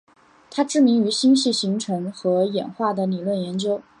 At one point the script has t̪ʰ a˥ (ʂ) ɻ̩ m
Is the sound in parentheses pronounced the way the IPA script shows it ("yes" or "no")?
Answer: no